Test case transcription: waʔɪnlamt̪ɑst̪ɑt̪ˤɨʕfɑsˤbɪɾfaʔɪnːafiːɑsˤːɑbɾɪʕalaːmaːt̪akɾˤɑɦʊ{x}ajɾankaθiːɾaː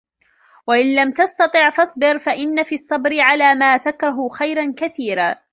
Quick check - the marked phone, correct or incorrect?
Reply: correct